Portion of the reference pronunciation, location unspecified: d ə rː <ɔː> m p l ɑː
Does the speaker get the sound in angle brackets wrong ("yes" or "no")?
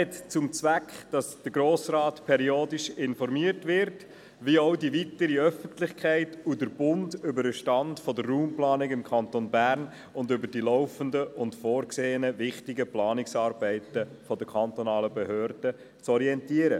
yes